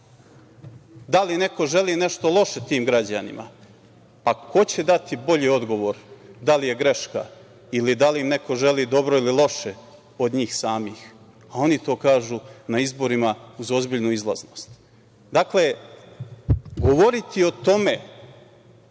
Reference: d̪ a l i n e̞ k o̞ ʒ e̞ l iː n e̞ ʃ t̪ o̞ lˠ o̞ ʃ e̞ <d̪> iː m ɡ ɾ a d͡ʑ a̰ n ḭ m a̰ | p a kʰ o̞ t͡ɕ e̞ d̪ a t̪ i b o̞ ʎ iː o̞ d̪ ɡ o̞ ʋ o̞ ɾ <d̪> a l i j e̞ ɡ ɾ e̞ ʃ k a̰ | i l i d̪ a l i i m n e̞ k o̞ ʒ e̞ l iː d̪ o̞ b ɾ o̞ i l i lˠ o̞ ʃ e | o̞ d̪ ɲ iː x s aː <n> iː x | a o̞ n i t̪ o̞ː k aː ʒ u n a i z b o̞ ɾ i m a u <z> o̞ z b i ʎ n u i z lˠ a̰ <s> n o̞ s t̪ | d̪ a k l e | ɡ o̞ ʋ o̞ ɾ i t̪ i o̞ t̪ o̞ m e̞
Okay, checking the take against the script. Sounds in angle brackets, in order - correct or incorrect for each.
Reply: incorrect, correct, incorrect, correct, incorrect

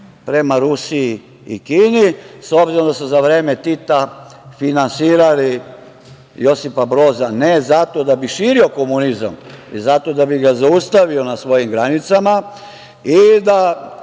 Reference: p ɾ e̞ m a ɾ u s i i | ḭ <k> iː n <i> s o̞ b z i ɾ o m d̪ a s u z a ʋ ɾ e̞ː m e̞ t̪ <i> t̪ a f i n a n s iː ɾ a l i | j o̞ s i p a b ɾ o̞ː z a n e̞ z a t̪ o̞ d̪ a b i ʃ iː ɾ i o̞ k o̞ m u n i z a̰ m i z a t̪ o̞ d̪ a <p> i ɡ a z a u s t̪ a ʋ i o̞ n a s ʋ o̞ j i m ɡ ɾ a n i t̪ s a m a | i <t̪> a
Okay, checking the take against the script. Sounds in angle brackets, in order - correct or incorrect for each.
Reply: correct, correct, correct, incorrect, incorrect

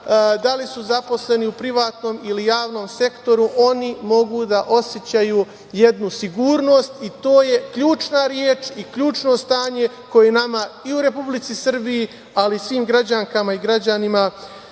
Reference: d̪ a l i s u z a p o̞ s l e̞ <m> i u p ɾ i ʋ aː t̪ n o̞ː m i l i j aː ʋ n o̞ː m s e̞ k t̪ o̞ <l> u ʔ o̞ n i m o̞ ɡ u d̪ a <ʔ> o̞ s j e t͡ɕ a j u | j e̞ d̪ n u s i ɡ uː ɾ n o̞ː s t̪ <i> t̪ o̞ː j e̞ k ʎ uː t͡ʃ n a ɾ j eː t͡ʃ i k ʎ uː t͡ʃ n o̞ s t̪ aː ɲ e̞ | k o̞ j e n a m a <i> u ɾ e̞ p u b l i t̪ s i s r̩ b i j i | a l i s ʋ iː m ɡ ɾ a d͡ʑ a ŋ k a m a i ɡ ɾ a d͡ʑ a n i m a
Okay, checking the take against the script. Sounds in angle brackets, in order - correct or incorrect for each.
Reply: incorrect, incorrect, correct, correct, correct

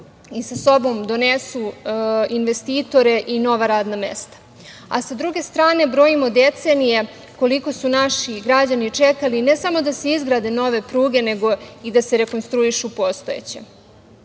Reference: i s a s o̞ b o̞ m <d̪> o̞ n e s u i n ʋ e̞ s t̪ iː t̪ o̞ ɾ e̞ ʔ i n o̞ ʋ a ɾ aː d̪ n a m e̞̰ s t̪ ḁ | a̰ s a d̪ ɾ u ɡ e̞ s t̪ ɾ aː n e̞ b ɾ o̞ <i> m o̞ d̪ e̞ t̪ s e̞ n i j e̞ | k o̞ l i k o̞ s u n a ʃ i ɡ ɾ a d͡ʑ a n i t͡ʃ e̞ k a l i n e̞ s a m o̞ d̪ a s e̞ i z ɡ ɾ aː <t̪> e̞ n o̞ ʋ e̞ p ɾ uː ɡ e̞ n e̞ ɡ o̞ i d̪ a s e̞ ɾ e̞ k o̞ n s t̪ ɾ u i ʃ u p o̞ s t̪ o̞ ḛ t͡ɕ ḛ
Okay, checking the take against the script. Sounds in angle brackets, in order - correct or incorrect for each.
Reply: correct, correct, incorrect

